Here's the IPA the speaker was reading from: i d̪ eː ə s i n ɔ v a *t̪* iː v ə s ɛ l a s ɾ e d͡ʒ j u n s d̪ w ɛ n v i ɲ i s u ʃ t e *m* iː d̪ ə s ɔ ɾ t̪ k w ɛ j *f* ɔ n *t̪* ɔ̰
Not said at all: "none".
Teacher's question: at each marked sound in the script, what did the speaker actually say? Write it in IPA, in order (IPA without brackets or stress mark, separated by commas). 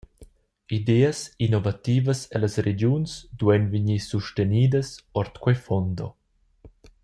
t̪, n, f, d̪